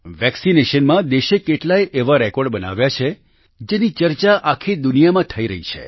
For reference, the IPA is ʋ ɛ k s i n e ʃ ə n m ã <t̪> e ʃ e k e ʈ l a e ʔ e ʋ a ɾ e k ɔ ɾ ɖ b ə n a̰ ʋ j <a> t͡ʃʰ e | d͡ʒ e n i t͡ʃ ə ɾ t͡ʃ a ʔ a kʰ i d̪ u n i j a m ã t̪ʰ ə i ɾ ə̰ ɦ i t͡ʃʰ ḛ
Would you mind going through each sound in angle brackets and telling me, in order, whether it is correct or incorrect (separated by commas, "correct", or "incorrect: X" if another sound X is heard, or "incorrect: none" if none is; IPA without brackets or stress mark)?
incorrect: d̪, correct